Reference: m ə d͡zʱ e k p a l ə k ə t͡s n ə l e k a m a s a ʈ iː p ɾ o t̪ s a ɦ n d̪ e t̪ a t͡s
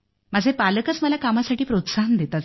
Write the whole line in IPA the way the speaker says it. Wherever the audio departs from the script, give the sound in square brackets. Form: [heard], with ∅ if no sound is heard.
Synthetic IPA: m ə d͡zʱ e [∅] p a l ə k ə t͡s [m] ə l [a] k a m a s a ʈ iː p ɾ o t̪ s a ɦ n d̪ e t̪ a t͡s